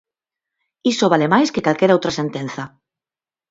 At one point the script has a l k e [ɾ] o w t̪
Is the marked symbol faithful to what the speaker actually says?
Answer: yes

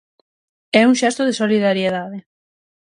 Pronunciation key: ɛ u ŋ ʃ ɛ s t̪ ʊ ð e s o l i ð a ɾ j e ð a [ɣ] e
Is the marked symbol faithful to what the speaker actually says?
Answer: no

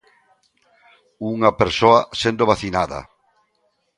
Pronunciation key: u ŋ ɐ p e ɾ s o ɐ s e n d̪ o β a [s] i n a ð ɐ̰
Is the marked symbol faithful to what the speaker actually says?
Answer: no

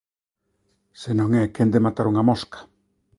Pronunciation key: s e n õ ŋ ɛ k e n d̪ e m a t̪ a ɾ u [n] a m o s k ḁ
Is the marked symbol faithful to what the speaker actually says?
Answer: no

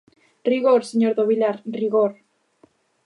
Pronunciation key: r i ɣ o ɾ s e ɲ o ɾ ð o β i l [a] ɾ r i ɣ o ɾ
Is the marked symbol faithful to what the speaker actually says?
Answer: yes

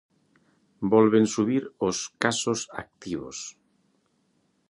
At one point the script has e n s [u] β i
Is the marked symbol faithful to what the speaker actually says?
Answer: yes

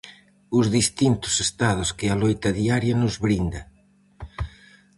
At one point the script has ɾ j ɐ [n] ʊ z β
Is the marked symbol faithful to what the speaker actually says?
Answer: yes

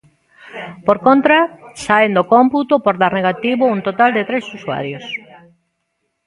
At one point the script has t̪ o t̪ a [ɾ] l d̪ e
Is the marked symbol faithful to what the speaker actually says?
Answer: no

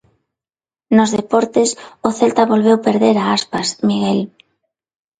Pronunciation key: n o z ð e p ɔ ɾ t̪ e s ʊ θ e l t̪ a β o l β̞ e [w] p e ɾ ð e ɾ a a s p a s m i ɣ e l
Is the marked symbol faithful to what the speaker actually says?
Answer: yes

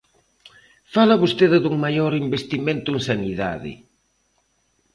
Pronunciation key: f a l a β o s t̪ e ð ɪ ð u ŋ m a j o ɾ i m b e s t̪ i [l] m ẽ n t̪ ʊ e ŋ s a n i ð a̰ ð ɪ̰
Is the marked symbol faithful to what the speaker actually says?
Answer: no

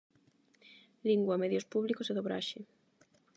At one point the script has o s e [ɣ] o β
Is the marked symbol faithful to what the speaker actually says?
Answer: no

